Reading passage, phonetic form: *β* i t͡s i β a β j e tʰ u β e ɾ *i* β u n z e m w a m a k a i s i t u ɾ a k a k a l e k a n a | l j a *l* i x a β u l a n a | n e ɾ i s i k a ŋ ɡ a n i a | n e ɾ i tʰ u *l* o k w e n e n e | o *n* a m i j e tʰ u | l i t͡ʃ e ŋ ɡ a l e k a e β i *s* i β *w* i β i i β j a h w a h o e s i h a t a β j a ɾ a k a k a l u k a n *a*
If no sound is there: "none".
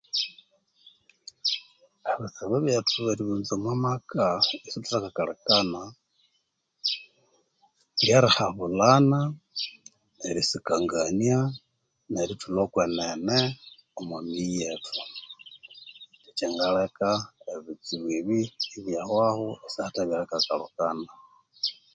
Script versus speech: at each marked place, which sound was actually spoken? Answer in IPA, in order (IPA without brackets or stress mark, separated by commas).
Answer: β, i, ɾ, l, m, t͡s, w, a